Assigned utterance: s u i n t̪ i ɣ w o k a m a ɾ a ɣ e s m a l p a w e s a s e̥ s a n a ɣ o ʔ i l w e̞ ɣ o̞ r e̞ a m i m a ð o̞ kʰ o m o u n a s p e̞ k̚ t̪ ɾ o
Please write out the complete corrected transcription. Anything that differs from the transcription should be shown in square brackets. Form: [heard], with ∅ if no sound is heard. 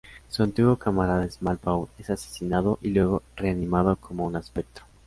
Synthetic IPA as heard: s u [a] n t̪ i ɣ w o k a m a ɾ a [ð] e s m a l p a w e s a s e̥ s [i] n a [ð] o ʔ i l w e̞ ɣ o̞ r e̞ a [n] i m a ð o̞ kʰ o m o u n a s p e̞ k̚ t̪ ɾ o